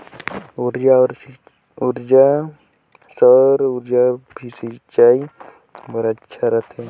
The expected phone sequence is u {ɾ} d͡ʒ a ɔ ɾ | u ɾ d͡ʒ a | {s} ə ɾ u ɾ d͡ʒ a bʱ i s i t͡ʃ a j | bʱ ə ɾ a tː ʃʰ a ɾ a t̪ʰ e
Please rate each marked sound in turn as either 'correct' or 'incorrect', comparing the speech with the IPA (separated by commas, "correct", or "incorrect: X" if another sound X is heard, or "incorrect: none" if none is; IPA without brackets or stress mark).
correct, correct